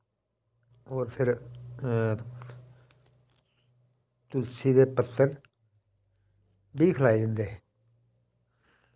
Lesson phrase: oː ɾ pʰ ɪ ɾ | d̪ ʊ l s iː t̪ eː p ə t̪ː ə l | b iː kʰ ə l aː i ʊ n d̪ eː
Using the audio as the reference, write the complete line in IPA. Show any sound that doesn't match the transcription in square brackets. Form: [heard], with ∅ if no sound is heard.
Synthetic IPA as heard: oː ɾ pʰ ɪ ɾ | [t̪] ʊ l s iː [d̪] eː p ə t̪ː ə [ɾ] | b iː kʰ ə l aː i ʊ n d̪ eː

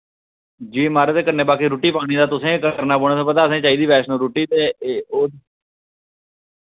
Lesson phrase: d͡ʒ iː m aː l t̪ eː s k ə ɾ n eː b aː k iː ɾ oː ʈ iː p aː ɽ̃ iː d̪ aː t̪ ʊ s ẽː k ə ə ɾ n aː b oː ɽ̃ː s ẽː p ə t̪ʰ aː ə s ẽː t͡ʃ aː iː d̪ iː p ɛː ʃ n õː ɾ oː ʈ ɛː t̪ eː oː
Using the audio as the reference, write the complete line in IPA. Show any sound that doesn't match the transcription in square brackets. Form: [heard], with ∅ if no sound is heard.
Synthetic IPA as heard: d͡ʒ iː m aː [ɾ] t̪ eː [∅] k ə ɾ n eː b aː k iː ɾ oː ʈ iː p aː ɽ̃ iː d̪ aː t̪ ʊ s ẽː k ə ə ɾ n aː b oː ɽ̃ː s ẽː p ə [t̪] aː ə s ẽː t͡ʃ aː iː d̪ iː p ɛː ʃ n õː ɾ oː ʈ [iː] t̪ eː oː

